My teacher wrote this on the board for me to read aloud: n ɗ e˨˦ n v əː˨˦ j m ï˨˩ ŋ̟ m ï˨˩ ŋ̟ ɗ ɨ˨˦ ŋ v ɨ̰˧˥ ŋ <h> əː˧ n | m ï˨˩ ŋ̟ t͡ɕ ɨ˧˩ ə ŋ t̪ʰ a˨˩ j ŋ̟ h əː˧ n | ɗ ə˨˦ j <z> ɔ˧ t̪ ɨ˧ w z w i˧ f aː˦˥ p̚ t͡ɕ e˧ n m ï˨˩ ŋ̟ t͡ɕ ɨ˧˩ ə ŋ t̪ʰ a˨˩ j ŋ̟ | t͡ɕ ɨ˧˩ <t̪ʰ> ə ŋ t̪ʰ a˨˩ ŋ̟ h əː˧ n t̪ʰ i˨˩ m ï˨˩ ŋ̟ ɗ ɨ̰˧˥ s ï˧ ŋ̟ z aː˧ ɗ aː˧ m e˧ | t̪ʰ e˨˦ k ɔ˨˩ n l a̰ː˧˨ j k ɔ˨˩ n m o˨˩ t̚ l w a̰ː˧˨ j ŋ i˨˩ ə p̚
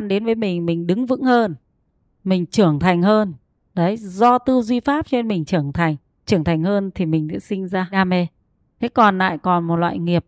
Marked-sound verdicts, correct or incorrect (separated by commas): correct, correct, incorrect